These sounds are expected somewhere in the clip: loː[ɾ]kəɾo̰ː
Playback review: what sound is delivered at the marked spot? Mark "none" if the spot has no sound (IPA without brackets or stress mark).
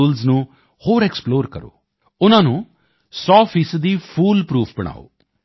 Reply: ɾ